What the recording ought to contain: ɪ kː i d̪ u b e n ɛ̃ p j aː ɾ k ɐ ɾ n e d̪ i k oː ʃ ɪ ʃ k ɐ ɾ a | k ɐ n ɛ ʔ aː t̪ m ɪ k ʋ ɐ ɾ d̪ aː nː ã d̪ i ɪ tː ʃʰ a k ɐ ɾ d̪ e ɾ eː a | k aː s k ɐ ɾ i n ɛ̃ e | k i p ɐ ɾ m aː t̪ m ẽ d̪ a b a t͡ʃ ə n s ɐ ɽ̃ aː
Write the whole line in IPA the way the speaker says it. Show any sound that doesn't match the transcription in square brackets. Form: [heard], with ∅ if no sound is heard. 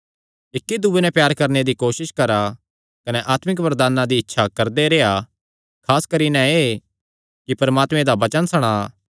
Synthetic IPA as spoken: ɪ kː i d̪ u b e n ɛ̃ p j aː ɾ k ɐ ɾ n e d̪ i k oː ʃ ɪ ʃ k ɐ ɾ a | k ɐ n ɛ ʔ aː t̪ m ɪ k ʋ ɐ ɾ d̪ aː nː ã d̪ i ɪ tː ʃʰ a k ɐ ɾ d̪ e ɾ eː a | [kʰ] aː s k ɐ ɾ i n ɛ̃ e | k i p ɐ ɾ m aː t̪ m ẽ d̪ a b [ɐ] t͡ʃ ə n s ɐ ɽ̃ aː